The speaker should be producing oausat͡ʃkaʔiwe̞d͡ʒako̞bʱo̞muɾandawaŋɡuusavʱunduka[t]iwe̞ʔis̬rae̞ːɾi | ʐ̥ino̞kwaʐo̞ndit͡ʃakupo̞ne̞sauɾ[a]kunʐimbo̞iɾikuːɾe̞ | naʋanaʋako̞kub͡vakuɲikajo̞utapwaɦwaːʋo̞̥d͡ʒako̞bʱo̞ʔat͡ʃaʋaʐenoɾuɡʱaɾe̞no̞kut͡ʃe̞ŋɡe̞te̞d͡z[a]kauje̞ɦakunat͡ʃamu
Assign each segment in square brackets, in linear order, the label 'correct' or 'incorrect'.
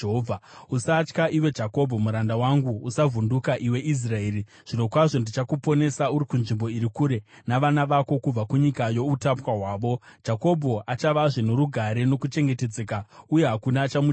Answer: incorrect, incorrect, incorrect

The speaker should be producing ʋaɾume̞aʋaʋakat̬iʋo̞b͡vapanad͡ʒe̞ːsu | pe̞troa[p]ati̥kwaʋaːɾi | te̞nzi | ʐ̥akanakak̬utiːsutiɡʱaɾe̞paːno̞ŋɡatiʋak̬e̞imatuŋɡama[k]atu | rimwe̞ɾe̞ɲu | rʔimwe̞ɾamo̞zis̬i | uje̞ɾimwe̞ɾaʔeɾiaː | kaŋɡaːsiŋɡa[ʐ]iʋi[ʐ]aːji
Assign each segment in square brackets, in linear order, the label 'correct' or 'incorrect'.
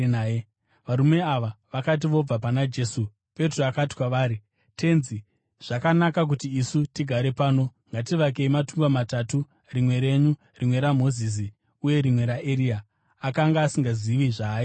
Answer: incorrect, incorrect, incorrect, correct

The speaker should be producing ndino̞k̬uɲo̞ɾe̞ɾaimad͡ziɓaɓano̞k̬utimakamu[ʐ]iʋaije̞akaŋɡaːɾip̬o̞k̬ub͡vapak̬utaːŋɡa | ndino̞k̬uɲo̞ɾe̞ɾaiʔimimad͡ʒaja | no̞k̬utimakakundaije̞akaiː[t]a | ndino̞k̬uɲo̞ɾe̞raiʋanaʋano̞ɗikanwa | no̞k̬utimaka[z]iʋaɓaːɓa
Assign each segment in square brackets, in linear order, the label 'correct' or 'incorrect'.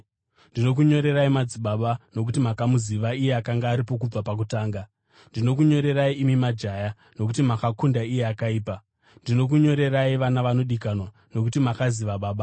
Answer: incorrect, incorrect, correct

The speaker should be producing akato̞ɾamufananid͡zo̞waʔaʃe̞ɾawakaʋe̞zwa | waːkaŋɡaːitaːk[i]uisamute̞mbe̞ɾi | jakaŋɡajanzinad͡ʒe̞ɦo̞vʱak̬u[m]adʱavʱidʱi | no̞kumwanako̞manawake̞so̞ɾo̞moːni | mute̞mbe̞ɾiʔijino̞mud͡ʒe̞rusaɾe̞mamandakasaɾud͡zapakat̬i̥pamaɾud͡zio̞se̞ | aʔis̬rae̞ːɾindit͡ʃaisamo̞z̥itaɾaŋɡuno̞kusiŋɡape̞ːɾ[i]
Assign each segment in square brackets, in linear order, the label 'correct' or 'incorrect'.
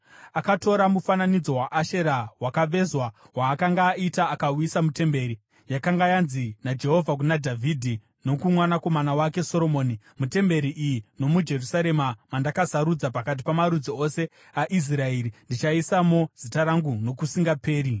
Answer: incorrect, incorrect, correct

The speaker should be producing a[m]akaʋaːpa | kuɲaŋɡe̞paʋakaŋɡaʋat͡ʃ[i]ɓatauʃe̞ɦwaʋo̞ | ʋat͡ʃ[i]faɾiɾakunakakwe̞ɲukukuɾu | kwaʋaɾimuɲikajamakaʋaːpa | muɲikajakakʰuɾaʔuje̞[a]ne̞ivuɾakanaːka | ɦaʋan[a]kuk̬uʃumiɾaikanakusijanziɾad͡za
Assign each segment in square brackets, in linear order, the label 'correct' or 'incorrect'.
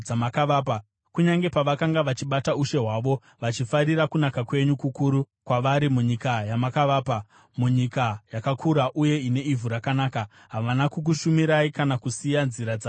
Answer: correct, correct, correct, incorrect, correct

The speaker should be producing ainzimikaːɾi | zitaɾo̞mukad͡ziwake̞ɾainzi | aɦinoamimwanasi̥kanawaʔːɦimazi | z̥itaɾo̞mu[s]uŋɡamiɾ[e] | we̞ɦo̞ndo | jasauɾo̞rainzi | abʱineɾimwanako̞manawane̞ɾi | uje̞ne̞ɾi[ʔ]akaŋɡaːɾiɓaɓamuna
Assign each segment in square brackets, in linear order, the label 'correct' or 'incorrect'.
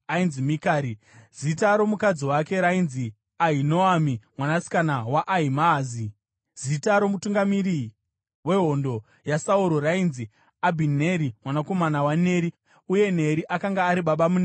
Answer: incorrect, incorrect, correct

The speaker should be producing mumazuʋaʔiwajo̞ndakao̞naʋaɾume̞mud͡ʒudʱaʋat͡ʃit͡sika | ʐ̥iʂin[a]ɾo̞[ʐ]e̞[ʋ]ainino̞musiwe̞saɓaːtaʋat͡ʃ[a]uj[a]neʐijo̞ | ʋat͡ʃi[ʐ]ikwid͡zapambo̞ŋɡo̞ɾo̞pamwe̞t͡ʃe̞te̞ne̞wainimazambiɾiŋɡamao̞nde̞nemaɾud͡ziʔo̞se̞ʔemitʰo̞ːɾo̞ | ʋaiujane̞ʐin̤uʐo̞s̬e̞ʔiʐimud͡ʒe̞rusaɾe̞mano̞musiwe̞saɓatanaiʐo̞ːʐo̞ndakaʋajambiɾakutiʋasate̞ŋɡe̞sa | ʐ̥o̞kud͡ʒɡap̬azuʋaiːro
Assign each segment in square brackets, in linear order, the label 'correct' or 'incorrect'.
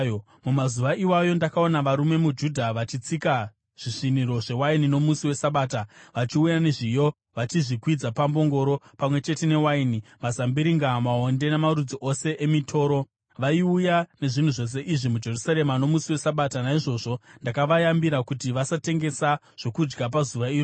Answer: incorrect, correct, incorrect, incorrect, correct, correct

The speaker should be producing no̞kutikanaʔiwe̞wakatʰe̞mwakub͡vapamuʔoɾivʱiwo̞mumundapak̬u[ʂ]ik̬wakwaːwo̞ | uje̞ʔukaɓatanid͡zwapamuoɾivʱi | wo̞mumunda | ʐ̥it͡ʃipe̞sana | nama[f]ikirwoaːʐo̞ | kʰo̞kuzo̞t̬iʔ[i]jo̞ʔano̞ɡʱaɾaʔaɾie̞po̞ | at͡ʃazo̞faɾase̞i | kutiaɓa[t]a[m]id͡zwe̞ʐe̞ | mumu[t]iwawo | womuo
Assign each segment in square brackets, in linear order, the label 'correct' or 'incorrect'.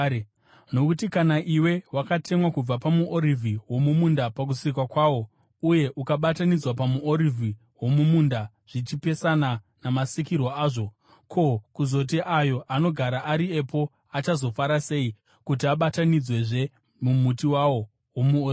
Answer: incorrect, incorrect, incorrect, correct, incorrect, correct

